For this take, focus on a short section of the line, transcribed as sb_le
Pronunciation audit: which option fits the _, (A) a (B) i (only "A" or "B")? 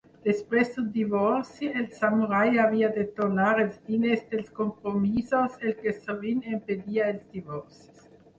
B